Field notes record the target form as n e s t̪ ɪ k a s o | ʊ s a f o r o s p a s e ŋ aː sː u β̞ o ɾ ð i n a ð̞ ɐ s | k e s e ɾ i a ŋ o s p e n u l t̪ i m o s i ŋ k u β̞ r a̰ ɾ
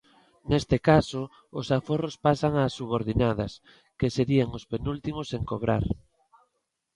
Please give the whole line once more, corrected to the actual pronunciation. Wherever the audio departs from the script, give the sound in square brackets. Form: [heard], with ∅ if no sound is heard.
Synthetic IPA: n e s t̪ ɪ k a s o | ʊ s a f o r o s p a s [a] ŋ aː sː u β̞ o ɾ ð i n a ð̞ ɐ s | k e s e ɾ i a ŋ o s p e n u l t̪ i m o s [e] ŋ k [o] β̞ [ɾ] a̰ ɾ